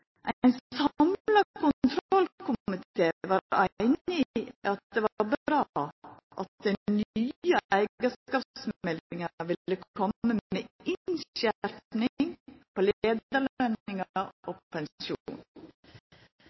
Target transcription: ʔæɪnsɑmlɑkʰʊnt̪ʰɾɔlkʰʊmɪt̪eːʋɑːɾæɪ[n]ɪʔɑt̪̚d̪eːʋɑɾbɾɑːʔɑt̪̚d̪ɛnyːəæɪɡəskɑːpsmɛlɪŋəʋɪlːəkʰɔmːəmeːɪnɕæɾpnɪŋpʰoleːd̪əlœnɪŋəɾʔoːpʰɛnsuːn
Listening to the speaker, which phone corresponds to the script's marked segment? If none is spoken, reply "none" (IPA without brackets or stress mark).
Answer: n